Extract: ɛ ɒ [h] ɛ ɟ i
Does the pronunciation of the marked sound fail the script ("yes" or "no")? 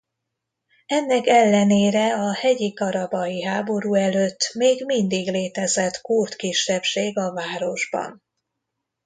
no